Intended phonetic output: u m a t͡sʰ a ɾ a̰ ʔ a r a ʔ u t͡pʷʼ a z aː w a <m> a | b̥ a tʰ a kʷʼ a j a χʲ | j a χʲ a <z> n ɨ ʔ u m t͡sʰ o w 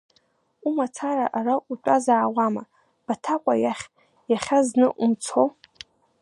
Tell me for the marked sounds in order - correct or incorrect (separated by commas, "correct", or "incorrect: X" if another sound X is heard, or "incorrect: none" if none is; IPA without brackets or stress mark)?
correct, correct